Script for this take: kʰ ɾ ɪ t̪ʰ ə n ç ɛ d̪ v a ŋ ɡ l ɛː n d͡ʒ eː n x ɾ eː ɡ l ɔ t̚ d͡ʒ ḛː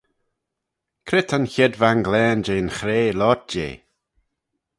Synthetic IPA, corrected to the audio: kʰ ɾ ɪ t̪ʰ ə n ç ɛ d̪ v a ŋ ɡ l ɛː n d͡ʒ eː n x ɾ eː l ɔ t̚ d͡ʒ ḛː